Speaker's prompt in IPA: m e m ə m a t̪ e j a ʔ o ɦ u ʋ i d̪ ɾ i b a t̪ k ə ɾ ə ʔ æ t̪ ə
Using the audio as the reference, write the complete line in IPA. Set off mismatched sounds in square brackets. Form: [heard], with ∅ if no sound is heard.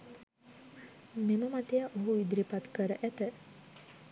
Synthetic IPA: m e m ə m a t̪ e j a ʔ o ɦ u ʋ i d̪ ɾ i [p] a t̪ k ə ɾ ə ʔ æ t̪ ə